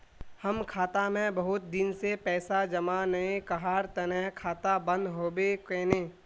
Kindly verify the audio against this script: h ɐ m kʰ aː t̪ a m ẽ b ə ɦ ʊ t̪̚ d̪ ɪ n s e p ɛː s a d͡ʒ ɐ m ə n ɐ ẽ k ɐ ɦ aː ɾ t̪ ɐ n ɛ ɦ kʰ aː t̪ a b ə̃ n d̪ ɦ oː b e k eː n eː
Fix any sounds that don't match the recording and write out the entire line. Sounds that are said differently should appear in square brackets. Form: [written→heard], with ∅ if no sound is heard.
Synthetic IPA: h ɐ m kʰ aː t̪ a m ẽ b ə ɦ ʊ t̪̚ d̪ ɪ n s e p ɛː s a d͡ʒ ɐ m [ə→a] n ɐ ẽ k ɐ ɦ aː ɾ t̪ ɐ n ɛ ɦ kʰ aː t̪ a b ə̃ n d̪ ɦ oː b e k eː n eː